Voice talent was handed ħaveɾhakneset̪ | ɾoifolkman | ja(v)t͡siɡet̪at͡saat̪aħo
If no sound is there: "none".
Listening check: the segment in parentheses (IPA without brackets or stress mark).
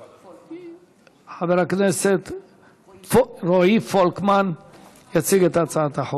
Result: none